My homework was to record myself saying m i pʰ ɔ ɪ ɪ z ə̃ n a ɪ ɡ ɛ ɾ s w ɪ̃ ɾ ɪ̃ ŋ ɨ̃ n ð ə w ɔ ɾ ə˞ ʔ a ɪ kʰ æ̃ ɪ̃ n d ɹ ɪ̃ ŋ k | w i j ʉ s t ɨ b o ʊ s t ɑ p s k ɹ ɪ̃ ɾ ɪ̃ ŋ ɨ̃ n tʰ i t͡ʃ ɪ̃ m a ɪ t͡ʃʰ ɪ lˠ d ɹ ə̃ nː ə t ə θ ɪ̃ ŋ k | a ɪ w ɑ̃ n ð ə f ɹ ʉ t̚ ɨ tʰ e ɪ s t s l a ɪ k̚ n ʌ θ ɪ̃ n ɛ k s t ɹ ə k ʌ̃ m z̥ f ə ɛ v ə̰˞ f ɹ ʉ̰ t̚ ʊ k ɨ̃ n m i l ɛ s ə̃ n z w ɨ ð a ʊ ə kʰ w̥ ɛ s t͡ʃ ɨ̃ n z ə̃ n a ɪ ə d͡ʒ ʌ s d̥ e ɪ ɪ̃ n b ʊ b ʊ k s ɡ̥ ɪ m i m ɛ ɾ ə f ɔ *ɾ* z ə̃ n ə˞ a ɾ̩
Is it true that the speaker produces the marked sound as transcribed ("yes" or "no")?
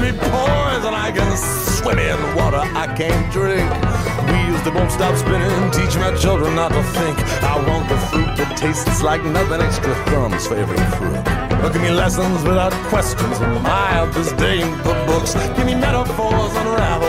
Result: no